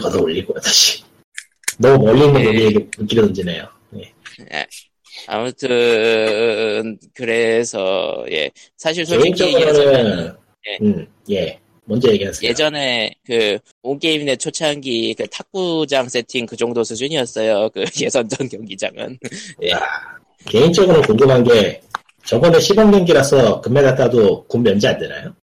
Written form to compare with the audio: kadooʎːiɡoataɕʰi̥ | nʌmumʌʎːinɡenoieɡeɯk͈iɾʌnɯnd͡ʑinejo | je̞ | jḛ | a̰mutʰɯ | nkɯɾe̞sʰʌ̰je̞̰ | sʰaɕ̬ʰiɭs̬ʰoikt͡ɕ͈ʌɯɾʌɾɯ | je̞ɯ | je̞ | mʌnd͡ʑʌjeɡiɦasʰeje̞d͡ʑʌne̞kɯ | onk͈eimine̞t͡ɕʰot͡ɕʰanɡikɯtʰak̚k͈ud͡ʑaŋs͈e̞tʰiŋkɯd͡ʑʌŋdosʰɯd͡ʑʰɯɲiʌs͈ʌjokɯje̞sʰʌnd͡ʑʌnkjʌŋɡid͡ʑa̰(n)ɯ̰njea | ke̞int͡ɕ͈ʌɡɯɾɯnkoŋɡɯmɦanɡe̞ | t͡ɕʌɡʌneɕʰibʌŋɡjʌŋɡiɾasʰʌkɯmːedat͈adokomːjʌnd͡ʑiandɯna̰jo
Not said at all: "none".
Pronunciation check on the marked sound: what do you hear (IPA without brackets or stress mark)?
ŋ